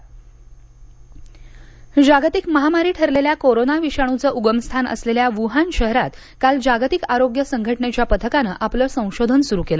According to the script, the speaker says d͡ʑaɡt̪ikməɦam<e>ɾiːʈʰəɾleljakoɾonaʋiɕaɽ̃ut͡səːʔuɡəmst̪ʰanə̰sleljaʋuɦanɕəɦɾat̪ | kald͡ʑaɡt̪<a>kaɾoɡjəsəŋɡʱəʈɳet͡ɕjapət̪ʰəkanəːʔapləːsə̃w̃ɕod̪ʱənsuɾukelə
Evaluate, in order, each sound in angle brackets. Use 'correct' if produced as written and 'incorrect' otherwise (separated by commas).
incorrect, incorrect